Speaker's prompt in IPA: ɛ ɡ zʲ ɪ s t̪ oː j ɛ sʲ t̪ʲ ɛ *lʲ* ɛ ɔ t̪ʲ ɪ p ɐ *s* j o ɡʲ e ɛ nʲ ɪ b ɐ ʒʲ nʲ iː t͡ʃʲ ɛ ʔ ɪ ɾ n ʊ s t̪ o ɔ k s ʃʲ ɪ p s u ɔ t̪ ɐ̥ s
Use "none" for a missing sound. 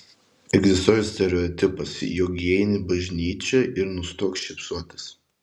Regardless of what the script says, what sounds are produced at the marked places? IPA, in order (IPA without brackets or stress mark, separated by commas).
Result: ɾʲ, s